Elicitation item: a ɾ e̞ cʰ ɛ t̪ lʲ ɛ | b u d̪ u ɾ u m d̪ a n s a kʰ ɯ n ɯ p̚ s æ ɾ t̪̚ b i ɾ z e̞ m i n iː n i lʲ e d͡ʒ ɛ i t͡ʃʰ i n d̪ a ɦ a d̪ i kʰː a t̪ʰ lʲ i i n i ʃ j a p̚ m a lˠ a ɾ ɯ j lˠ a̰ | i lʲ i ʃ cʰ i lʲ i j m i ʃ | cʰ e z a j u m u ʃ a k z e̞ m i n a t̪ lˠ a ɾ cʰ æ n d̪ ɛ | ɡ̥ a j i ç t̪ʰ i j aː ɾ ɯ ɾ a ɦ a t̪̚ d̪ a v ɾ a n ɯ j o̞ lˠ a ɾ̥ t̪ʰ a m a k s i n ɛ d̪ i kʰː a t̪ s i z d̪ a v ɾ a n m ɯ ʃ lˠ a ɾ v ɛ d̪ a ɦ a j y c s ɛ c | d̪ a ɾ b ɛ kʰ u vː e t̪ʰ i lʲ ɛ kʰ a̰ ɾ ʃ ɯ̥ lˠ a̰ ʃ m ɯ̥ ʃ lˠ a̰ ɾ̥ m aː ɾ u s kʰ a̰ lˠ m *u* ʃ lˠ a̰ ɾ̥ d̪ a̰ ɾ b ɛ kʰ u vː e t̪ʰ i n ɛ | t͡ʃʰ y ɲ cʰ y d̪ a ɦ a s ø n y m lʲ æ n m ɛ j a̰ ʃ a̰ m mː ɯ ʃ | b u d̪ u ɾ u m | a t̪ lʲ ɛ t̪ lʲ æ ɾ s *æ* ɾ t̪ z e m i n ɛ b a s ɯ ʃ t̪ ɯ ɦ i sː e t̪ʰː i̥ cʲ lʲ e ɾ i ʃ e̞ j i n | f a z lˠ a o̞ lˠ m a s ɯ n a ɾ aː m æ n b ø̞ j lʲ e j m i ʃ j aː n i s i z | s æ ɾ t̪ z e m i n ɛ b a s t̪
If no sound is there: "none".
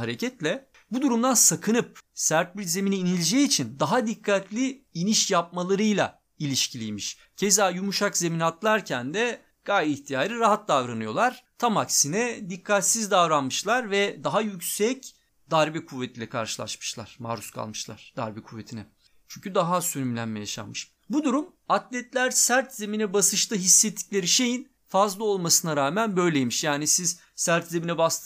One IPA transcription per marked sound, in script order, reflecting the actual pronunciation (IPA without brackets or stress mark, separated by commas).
ɯ, æ